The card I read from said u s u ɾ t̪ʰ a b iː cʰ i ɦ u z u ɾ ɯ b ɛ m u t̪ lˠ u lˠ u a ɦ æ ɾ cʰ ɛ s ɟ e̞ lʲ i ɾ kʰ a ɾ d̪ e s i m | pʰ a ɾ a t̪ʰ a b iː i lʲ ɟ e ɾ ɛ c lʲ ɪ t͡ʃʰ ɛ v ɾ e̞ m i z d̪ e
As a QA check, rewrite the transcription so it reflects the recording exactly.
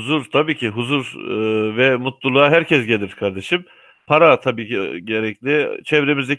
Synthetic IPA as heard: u z u ɾ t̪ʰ a b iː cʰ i ɦ u z u ɾ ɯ v ɛ m u t̪ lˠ u lˠ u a ɦ æ ɾ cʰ ɛ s ɟ e̞ lʲ i ɾ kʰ a ɾ d̪ e ʃ i m | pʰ a ɾ a t̪ʰ a b iː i ɟ e ɾ ɛ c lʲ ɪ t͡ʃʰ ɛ v ɾ e̞ m i z d̪ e